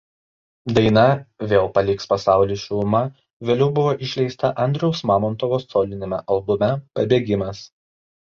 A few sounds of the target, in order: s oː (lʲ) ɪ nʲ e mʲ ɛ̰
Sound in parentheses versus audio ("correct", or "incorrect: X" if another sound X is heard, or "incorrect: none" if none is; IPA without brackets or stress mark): correct